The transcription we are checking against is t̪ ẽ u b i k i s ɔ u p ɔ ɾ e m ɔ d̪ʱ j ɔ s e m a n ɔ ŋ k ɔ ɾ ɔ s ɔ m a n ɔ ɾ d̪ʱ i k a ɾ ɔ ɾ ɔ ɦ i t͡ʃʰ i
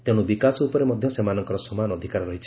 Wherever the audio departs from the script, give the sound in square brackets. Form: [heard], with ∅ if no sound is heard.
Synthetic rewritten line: t̪ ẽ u b i k [a] s ɔ u p ɔ ɾ e m ɔ d̪ʱ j ɔ s e m a n ɔ ŋ k ɔ ɾ ɔ s ɔ m a n ɔ [∅] d̪ʱ i k a ɾ ɔ ɾ ɔ ɦ i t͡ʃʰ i